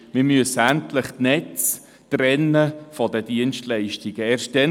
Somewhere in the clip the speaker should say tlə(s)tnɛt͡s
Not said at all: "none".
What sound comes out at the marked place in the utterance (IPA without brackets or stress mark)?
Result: χ